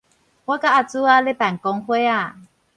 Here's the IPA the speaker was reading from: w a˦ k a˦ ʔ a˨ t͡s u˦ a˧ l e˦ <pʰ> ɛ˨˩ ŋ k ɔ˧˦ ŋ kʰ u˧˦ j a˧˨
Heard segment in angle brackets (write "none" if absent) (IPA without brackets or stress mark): p